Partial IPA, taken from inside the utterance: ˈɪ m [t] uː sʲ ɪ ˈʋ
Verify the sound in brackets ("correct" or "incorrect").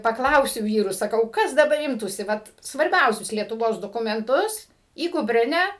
correct